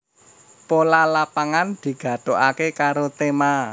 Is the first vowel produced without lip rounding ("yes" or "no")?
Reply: no